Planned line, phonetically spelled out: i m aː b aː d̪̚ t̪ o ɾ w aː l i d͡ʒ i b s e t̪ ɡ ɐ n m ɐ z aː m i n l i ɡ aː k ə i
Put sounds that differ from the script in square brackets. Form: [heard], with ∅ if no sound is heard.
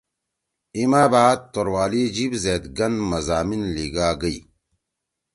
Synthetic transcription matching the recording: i m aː b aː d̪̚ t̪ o ɾ w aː l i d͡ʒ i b [z] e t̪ ɡ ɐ n m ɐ z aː m i n l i ɡ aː [ɡ] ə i